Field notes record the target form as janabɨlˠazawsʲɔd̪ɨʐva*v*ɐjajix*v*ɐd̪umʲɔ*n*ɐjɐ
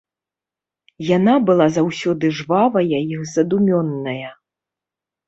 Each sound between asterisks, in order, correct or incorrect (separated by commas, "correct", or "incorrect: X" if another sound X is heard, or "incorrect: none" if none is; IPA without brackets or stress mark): correct, incorrect: z, incorrect: nː